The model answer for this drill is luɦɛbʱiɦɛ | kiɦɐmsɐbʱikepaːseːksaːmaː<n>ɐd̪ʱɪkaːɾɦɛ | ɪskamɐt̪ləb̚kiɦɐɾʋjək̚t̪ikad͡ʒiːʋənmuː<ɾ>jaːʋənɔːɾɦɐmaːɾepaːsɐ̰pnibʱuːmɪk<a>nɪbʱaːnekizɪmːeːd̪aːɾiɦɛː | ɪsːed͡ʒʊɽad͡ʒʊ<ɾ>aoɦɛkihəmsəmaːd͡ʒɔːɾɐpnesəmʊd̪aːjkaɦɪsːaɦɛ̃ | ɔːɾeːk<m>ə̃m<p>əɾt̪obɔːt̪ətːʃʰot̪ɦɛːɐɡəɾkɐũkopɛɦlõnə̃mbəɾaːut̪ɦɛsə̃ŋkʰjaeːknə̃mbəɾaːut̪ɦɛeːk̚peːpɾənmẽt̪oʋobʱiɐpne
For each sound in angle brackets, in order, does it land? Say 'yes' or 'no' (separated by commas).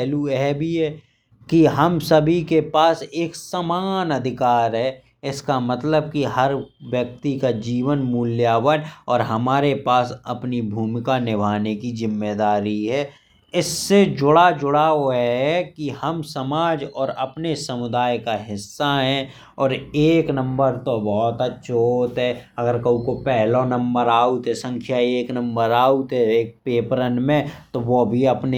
yes, no, yes, no, no, no